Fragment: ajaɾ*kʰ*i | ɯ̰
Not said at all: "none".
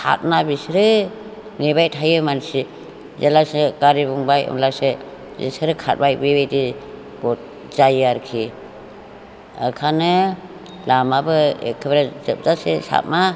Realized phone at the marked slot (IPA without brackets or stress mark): kʰ